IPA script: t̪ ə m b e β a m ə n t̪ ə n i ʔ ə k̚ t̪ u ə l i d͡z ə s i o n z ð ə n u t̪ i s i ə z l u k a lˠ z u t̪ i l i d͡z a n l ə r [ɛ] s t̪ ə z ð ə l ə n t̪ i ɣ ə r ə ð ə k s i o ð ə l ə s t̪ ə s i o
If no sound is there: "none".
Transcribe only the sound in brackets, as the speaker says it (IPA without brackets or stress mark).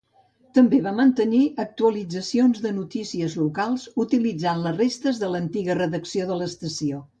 e